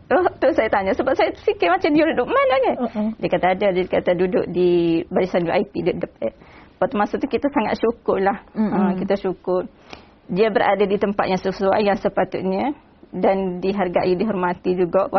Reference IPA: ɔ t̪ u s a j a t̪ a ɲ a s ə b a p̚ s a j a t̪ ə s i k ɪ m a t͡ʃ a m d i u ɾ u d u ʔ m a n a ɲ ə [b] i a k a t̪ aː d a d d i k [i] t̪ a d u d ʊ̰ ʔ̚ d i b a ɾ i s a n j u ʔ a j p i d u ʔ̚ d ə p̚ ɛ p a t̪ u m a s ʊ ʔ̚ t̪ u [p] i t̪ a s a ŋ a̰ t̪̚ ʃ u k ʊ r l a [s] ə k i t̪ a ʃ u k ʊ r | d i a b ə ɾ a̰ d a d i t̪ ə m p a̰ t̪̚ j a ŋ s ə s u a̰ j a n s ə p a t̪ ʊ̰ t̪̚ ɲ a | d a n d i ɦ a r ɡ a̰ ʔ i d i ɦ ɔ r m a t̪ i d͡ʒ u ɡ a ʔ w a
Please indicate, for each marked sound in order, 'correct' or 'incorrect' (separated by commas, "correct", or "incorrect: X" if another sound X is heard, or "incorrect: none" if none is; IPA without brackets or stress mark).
incorrect: d, incorrect: a, incorrect: k, incorrect: h